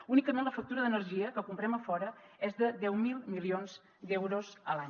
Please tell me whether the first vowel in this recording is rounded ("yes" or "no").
yes